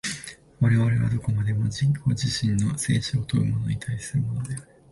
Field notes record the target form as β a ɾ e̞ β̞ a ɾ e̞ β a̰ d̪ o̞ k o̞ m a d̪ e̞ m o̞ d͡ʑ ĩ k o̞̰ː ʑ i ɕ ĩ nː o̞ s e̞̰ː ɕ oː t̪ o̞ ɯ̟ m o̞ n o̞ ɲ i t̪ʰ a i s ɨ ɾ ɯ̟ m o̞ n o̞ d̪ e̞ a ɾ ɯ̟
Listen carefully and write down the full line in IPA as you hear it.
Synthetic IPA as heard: β a ɾ e̞ β̞ a ɾ e̞ β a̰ d̪ o̞ k o̞ m a d̪ e̞ m o̞ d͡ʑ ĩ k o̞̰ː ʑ i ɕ ĩ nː o̞ s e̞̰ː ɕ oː t̪ o̞ ɯ̟ m o̞ n o̞ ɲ i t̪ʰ a i s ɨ ɾ ɯ̟ m o̞ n o̞ d̪ e̞ a ɾ ɯ̟